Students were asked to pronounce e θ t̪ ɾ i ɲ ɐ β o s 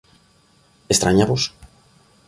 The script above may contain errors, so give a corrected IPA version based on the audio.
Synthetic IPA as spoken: e s t̪ ɾ a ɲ a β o s